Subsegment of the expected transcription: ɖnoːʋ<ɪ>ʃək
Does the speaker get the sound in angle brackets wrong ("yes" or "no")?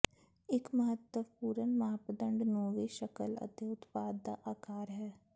yes